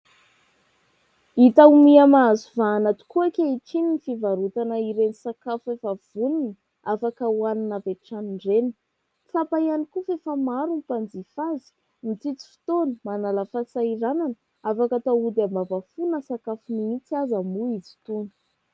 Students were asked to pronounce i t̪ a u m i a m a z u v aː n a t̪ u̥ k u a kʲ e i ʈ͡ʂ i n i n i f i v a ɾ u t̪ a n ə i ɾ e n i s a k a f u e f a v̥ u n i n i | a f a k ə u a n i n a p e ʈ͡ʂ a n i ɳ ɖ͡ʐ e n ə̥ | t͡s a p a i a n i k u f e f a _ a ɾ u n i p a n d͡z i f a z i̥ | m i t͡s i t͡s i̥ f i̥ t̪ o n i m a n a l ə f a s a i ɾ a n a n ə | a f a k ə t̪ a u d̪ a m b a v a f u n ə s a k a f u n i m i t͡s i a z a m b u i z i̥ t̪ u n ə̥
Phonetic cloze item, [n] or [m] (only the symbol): m